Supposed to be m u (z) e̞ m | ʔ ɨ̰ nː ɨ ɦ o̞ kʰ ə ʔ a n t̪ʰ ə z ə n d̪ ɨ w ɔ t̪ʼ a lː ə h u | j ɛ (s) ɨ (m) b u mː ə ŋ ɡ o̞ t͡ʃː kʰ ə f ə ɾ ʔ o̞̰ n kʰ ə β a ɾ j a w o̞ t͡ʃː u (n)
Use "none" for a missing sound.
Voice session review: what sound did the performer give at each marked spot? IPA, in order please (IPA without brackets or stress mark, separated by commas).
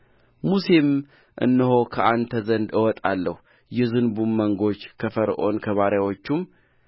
s, z, n, m